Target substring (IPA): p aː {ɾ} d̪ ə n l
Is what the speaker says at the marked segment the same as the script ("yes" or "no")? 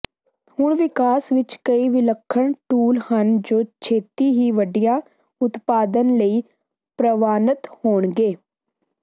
no